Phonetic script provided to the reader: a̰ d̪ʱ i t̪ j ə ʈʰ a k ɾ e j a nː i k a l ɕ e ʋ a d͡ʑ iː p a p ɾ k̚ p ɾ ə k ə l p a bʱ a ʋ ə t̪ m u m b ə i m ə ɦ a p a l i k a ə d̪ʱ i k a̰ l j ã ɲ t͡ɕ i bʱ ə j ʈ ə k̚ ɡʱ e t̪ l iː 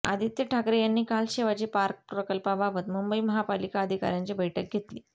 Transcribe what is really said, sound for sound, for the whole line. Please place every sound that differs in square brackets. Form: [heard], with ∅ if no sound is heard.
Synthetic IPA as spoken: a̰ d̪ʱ i t̪ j ə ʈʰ a k ɾ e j a nː [iː] k a l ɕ e ʋ a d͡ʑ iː p a [∅] ɾ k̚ p ɾ ə k ə l p a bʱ a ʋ ə t̪ m u m b ə i m ə ɦ a p a l i k a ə d̪ʱ i k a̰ [ɾ] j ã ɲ t͡ɕ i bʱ ə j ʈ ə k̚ ɡʱ e t̪ l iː